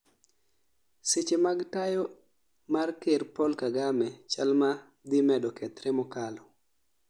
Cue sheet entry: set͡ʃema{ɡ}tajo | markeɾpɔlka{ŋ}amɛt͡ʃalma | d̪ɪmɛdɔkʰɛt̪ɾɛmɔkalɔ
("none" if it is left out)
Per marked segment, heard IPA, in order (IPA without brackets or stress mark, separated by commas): ɡ, ɡ